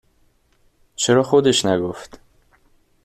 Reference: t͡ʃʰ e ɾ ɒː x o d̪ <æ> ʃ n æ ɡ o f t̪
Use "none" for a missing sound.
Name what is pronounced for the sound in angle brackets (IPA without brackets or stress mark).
e